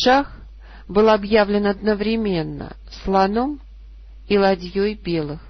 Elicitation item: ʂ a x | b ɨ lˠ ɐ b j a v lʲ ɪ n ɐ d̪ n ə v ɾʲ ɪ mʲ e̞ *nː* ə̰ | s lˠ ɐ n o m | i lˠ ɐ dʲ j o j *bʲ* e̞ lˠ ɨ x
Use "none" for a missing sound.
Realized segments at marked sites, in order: nː, bʲ

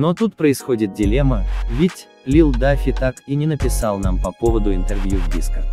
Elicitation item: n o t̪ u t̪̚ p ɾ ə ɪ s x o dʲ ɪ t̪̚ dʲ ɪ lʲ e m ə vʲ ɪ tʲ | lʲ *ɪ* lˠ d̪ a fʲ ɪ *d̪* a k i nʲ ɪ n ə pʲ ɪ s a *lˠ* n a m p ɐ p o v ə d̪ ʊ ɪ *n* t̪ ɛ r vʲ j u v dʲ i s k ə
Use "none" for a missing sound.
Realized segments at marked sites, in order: i, t̪, lˠ, n

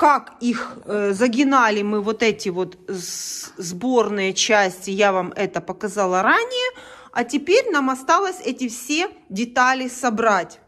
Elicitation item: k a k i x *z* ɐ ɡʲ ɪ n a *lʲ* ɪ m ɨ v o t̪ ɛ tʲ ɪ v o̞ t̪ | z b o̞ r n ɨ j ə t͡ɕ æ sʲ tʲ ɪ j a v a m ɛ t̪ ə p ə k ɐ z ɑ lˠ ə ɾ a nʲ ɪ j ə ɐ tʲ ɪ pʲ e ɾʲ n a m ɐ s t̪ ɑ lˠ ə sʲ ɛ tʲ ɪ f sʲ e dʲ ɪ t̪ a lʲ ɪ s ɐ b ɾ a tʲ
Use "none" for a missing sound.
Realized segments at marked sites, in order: z, lʲ

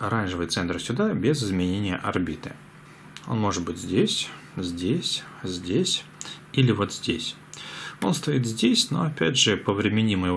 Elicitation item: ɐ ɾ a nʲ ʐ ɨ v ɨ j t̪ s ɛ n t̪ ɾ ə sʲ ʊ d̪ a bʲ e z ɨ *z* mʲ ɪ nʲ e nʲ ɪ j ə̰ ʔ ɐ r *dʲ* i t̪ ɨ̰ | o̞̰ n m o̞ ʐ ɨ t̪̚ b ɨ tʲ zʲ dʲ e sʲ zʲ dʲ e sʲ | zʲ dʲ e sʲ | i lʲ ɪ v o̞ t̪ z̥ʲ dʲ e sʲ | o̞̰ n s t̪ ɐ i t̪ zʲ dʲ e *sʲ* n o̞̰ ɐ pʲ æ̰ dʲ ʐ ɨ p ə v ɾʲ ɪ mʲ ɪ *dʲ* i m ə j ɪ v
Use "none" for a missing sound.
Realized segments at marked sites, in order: z, bʲ, sʲ, nʲ

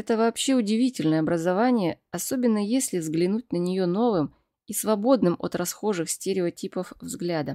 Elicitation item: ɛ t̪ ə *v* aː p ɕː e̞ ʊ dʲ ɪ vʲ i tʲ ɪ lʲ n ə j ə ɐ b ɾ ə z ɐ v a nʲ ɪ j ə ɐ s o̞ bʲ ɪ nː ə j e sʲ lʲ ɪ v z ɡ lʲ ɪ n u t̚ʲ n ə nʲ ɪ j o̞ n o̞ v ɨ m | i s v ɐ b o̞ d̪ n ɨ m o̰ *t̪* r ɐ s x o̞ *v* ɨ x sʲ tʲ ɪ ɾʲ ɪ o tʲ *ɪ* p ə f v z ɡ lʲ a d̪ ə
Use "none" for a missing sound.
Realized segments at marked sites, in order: v, t̪, ʐ, i

